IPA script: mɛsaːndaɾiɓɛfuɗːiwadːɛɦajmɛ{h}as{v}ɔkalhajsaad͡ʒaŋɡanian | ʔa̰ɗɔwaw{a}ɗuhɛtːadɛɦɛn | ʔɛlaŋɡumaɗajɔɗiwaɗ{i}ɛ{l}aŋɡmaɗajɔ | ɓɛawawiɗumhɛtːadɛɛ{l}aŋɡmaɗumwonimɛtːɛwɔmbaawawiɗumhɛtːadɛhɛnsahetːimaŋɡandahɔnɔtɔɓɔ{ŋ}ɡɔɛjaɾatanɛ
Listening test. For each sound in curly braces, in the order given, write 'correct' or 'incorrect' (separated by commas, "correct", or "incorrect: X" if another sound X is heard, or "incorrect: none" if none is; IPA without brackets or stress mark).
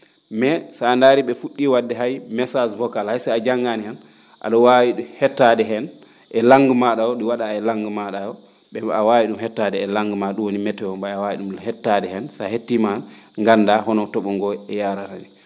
incorrect: s, correct, incorrect: i, incorrect: a, correct, correct, correct